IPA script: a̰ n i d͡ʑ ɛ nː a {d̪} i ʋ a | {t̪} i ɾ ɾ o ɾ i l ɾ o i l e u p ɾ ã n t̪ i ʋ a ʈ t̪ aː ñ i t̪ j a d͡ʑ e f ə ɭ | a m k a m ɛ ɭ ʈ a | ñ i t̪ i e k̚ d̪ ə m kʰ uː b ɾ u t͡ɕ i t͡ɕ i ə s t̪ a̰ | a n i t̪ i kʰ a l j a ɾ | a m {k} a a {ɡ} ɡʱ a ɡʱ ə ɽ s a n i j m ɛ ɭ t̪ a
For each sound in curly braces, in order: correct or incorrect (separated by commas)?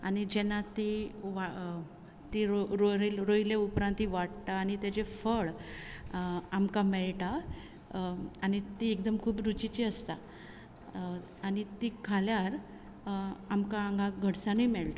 incorrect, correct, correct, incorrect